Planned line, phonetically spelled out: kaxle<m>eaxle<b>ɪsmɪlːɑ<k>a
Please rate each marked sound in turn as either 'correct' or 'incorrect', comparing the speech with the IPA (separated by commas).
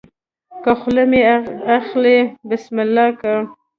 correct, correct, correct